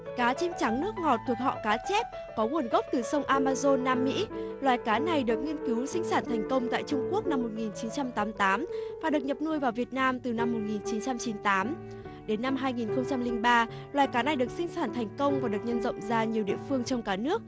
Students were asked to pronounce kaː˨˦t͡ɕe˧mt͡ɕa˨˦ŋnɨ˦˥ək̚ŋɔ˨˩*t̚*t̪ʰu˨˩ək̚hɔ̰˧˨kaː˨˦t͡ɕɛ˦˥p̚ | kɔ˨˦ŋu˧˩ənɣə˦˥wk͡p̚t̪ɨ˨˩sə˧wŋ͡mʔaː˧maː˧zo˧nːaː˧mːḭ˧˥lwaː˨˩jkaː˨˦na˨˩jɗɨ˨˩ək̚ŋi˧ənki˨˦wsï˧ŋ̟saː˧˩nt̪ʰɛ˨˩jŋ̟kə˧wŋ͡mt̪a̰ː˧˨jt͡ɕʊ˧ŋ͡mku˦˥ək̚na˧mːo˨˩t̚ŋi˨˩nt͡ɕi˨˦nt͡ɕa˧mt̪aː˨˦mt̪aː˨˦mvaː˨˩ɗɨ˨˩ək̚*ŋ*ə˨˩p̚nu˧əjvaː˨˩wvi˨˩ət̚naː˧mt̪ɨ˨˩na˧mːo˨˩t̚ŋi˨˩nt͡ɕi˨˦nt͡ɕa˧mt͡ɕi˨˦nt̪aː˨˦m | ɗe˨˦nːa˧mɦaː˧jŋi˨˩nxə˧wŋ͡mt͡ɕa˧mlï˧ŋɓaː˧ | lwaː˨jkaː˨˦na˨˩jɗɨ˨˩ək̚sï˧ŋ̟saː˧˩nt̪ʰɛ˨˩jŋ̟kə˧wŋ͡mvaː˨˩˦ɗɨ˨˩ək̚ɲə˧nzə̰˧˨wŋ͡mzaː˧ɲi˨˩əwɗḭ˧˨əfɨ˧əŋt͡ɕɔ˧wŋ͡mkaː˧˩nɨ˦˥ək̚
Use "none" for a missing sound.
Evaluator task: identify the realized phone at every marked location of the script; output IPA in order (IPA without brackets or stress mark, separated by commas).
t̚, ɲ